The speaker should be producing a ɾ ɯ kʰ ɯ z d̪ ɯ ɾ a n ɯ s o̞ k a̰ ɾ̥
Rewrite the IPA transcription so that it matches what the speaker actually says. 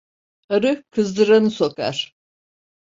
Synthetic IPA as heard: a ɾ ɯ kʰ ɯ z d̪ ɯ ɾ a n ɯ s o̞ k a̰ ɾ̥